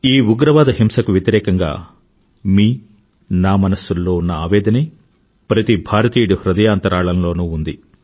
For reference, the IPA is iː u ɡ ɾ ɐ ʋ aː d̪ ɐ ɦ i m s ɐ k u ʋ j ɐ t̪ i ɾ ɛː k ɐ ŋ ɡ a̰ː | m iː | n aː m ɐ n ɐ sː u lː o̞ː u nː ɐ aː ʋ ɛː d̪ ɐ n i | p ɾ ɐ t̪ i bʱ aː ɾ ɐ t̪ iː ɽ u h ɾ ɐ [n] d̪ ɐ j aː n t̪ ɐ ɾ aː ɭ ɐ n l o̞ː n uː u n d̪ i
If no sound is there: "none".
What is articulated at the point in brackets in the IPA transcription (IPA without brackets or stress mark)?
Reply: none